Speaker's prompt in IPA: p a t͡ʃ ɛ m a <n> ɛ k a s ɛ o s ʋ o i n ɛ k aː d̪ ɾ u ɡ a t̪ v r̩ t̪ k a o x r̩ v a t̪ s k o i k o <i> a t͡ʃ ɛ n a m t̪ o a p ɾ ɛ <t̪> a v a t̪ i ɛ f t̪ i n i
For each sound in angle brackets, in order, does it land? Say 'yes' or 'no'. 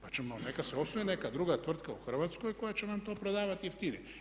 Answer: yes, no, no

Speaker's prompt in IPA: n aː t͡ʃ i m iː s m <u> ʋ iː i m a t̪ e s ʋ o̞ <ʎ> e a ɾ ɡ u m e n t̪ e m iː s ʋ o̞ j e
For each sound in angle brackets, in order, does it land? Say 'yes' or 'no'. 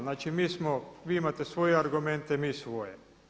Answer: no, no

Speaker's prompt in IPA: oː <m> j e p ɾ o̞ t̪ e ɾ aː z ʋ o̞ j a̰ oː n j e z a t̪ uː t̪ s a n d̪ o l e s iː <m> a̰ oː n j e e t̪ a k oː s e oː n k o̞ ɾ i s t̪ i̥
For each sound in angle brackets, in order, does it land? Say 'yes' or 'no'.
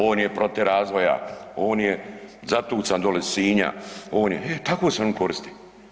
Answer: no, no

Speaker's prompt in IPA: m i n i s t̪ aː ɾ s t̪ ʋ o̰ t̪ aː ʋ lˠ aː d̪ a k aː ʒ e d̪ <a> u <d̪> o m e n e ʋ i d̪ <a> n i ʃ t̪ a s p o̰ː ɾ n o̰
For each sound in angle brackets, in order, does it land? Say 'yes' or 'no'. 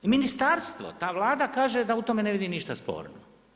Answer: yes, no, no

